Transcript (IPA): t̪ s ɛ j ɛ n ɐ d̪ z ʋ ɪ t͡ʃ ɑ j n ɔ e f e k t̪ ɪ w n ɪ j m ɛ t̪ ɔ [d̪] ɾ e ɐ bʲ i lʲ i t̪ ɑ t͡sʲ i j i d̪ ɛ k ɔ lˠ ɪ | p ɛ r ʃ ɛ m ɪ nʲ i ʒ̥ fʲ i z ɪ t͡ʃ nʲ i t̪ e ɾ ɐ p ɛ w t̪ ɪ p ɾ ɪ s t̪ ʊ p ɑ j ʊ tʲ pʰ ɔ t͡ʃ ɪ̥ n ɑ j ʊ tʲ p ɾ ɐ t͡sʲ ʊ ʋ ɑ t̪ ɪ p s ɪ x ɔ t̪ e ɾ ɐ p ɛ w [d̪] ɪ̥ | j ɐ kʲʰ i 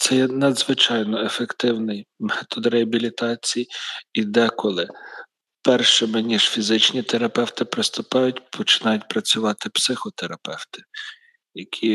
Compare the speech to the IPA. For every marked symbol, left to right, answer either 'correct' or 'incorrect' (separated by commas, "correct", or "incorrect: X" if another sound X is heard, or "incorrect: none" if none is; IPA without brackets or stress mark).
correct, incorrect: t̪